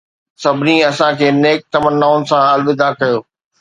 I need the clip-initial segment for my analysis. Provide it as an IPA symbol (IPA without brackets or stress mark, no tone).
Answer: s